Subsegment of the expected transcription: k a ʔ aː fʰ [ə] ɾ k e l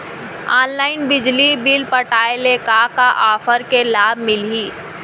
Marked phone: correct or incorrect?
correct